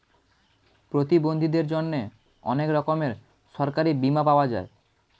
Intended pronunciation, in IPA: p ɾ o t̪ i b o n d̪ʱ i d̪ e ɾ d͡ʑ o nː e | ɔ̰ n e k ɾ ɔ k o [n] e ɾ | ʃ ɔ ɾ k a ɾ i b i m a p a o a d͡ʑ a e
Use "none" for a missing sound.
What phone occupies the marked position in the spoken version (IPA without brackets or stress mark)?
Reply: m